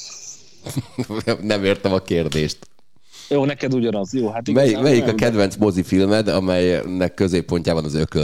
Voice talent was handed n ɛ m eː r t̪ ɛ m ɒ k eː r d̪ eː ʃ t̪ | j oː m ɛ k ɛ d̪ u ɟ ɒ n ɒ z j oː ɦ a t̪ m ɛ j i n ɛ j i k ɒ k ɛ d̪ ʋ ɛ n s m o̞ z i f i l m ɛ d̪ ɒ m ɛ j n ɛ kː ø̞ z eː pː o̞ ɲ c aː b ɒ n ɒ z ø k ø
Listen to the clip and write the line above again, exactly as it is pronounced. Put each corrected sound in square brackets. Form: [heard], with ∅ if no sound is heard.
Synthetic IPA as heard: n ɛ m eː r t̪ ɛ m ɒ k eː r d̪ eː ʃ t̪ | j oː [n] ɛ k ɛ d̪ u ɟ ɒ n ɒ z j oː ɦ a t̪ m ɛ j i [m] ɛ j i k ɒ k ɛ d̪ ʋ ɛ n s m o̞ z i f i l m ɛ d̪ ɒ m ɛ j n ɛ kː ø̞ z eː pː o̞ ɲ c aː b ɒ n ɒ z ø k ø